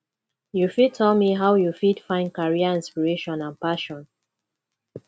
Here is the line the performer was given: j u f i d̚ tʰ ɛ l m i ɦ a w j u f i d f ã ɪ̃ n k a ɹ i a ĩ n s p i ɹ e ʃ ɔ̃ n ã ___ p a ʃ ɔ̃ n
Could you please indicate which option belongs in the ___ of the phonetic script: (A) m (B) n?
B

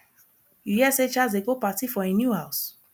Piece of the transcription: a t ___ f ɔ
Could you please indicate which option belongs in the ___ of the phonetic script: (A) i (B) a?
A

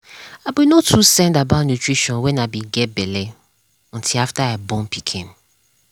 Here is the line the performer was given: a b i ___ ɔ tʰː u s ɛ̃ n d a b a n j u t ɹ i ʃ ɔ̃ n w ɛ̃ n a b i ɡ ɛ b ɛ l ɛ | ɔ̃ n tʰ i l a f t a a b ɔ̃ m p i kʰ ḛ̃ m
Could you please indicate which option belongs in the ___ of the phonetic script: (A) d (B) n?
B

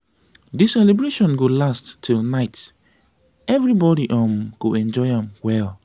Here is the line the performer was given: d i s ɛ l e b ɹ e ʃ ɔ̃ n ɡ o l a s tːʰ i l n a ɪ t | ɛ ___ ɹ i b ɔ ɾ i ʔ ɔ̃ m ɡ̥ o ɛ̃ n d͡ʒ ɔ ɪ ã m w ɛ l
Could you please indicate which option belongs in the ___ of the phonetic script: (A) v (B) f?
A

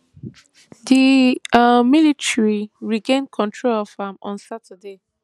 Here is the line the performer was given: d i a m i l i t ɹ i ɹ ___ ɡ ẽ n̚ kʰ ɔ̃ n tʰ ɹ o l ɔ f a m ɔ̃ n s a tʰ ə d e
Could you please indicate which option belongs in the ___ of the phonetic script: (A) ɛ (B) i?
B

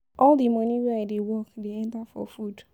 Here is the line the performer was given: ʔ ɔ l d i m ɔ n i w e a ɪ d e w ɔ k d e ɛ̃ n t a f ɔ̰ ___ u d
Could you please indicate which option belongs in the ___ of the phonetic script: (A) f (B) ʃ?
A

